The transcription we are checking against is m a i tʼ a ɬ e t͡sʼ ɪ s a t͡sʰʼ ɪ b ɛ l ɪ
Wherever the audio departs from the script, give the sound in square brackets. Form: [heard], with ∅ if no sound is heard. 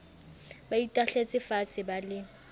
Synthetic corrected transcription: [b] a i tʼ a ɬ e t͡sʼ ɪ [f] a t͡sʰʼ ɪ b [a] l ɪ